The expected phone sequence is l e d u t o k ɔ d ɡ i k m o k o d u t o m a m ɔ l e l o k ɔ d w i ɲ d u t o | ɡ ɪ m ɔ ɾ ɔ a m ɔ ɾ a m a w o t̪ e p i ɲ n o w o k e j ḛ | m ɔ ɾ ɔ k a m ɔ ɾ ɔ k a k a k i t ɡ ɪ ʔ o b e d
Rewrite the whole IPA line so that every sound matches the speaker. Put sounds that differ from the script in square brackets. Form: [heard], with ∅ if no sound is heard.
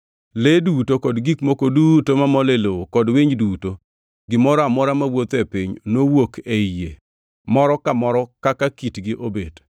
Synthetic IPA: l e d u t o k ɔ d ɡ i k m o k o d u t o m a m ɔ l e l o k ɔ d w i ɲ d u t o | ɡ ɪ m ɔ ɾ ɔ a m ɔ ɾ a m a w o t̪ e p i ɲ n o w o k e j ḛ | m ɔ ɾ ɔ k a m ɔ ɾ ɔ k a k a k i t ɡ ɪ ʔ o b e d